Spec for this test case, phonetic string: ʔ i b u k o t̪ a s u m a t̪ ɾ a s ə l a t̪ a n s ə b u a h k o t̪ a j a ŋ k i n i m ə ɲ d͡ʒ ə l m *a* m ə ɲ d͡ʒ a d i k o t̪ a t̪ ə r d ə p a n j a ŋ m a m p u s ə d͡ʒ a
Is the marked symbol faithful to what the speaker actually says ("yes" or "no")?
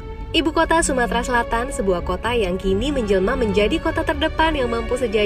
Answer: yes